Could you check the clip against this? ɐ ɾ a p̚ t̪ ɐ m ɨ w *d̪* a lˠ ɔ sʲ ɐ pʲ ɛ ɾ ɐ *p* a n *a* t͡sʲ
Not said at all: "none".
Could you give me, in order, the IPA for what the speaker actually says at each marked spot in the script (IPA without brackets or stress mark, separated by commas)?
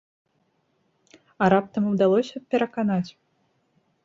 d̪, k, a